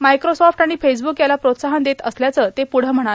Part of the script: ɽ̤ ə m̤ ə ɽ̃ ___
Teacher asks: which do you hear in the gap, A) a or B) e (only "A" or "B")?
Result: A